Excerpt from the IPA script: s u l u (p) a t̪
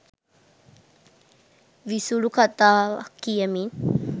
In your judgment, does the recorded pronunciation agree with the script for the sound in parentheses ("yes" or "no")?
no